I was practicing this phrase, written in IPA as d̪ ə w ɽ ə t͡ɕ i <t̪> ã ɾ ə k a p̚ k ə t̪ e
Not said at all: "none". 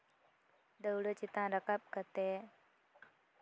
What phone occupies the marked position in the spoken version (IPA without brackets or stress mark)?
t̪